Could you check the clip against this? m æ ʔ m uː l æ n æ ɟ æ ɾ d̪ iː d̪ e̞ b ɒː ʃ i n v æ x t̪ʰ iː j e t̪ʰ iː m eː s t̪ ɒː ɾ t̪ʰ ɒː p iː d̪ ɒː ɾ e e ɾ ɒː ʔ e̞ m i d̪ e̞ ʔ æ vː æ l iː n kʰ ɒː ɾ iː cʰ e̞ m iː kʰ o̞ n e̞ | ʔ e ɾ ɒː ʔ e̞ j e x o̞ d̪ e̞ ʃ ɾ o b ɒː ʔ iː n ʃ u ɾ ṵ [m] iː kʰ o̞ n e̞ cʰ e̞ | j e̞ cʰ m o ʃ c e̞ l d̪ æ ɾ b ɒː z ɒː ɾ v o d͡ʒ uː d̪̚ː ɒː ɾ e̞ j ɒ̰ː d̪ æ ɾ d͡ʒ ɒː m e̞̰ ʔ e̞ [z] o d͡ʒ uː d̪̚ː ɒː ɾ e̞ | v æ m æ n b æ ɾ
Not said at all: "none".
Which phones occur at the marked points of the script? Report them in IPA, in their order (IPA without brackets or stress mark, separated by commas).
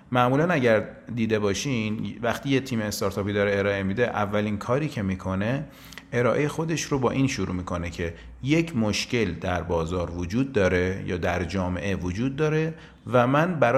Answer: m, v